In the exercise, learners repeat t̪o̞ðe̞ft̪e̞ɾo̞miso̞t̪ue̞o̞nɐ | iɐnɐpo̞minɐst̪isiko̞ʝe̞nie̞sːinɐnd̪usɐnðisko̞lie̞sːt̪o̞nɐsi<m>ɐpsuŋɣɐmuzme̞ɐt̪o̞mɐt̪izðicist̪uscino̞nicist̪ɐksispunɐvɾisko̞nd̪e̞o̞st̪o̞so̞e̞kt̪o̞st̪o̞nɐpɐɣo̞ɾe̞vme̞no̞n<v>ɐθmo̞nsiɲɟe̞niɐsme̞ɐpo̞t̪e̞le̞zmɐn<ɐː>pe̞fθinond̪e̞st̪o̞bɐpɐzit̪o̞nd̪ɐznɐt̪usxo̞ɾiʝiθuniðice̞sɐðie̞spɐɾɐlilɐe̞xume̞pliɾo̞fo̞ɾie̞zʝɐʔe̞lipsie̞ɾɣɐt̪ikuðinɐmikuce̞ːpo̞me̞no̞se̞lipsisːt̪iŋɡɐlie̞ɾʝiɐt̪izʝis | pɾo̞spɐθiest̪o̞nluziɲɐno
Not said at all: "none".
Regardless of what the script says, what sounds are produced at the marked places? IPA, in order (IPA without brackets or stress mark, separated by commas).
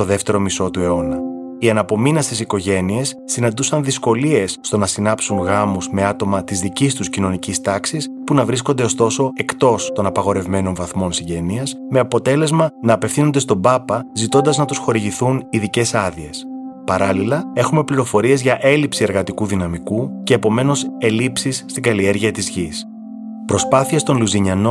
n, v, ɐː